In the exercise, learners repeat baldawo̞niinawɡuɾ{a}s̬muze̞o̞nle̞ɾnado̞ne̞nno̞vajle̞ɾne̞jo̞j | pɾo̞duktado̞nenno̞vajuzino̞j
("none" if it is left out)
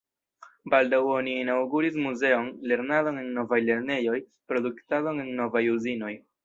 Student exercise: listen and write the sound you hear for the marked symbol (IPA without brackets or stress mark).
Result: i